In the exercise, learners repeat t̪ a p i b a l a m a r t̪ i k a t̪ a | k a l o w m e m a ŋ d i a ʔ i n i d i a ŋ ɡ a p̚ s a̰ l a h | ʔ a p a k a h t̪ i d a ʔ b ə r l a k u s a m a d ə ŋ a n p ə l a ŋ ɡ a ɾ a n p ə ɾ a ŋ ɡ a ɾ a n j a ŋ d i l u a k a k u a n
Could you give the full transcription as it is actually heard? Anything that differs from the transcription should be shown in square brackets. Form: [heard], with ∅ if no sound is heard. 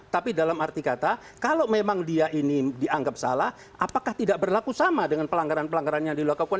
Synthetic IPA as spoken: t̪ a p i [d] a l a m a r t̪ i k a t̪ a | k a l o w m e m a ŋ d i a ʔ i n i d i a ŋ ɡ a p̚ s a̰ l a h | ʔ a p a k a h t̪ i d a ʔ b ə r l a k u s a m a d ə ŋ a n p ə l a ŋ ɡ a ɾ a n p ə [l] a ŋ ɡ a ɾ a n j a ŋ d i l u a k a k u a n